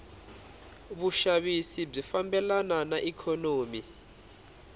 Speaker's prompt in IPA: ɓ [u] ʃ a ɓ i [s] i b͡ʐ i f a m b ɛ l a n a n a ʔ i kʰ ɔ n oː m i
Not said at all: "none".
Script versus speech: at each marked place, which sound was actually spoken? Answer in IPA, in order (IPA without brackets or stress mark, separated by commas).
u, s